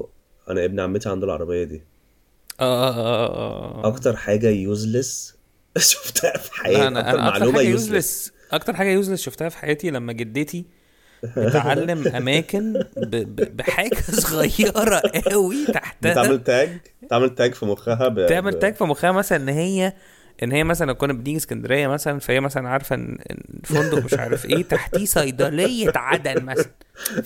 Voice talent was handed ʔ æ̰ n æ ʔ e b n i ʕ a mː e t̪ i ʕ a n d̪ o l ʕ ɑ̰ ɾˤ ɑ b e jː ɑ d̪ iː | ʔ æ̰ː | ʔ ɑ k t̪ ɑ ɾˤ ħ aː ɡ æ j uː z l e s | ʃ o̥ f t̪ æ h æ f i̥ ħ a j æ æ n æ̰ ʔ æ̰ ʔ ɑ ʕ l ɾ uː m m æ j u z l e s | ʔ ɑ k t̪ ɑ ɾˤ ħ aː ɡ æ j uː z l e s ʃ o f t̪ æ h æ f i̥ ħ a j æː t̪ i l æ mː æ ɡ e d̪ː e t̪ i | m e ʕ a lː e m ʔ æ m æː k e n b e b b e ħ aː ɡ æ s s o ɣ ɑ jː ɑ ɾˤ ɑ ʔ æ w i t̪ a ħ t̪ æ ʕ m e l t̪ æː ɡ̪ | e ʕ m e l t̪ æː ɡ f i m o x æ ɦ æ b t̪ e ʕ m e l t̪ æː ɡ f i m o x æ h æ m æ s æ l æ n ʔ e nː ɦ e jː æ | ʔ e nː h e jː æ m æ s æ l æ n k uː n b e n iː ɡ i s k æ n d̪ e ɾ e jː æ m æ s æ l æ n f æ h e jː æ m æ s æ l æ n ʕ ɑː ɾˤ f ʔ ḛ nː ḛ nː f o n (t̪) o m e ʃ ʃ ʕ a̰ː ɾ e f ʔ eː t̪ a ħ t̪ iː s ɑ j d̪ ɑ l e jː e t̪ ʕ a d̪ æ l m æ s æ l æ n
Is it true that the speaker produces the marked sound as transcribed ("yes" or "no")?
no